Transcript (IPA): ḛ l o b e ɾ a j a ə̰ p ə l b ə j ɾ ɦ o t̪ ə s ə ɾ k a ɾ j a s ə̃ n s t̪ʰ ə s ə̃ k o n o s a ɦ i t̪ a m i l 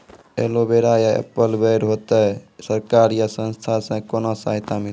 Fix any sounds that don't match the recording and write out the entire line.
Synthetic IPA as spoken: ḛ l o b e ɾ a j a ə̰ p ə l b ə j ɾ ɦ o t̪ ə s ə ɾ k a ɾ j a s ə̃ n s t̪ʰ a s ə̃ k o n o s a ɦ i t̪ a m i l

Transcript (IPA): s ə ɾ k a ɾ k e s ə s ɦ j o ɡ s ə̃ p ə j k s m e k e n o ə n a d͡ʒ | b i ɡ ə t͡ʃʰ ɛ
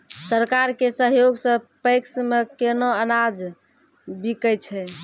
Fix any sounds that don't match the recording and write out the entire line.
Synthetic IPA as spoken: s ə ɾ k a ɾ k e s ə ɦ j o ɡ s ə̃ p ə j k s m e k e n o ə n a d͡ʒ | b i k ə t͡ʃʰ ɛ

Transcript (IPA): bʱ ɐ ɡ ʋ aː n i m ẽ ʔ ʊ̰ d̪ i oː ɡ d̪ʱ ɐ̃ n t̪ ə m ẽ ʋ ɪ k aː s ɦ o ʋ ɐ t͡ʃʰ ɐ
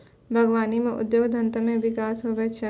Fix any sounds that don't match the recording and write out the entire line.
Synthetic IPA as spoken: bʱ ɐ ɡ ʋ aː n i m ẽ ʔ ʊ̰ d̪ j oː ɡ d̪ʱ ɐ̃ n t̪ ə m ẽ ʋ ɪ k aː s ɦ o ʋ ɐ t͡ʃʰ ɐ

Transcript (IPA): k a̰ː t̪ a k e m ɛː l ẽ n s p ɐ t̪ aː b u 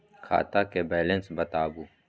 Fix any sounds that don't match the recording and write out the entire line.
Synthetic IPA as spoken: kʰ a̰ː t̪ a k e b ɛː l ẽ n s b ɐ t̪ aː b u

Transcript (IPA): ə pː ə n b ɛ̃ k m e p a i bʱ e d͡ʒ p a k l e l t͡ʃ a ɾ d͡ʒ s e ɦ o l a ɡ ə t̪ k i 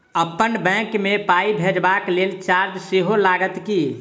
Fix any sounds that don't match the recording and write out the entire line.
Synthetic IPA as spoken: ə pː ə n b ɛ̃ k m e p a i bʱ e d͡ʒ b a k l e l t͡ʃ a ɾ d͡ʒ s e ɦ o l a ɡ ə t̪ k i

